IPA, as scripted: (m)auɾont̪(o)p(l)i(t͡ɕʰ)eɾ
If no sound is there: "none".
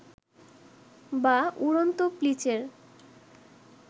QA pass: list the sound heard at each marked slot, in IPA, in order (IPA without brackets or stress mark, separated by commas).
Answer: b, o, l, t͡ɕ